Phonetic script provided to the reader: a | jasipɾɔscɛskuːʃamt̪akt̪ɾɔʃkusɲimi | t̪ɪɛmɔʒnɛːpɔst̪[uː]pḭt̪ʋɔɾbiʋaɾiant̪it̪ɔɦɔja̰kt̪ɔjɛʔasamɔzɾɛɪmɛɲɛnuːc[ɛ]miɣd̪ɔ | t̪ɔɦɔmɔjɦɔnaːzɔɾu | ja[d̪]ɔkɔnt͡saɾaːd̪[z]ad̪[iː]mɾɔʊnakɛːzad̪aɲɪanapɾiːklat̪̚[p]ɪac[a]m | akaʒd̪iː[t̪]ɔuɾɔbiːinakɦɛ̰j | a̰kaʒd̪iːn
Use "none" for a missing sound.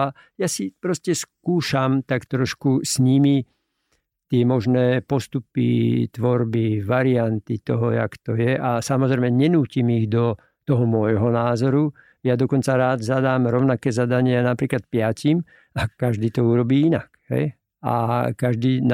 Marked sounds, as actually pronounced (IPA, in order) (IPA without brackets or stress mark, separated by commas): u, i, d̪, z, aː, p, i, t̪